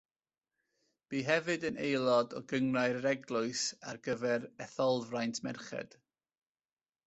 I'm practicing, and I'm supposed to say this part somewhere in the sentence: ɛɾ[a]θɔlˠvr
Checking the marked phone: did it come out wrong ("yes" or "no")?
yes